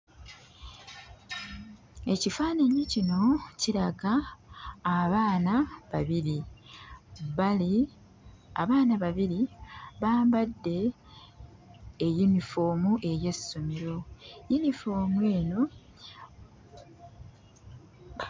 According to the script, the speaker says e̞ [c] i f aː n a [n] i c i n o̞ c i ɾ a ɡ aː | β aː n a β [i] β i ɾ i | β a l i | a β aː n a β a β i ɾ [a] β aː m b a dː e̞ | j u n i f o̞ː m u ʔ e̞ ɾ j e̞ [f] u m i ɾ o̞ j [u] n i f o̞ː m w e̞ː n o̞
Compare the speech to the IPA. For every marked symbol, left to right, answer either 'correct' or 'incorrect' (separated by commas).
correct, incorrect, incorrect, incorrect, incorrect, correct